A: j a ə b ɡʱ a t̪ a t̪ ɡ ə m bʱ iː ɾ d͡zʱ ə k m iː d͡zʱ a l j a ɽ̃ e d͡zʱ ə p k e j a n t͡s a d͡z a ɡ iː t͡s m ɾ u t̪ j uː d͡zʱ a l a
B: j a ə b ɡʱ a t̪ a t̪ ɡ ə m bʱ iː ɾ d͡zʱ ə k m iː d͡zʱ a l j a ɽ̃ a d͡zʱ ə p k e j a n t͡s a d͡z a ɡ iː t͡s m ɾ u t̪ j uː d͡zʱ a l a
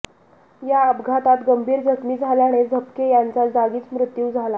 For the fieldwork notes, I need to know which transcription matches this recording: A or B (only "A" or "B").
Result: A